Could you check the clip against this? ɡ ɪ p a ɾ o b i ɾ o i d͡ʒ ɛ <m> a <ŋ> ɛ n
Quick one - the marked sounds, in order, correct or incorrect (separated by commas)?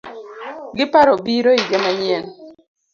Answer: correct, incorrect